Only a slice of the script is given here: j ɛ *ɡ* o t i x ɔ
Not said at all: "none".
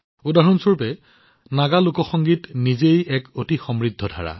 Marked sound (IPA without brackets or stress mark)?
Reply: k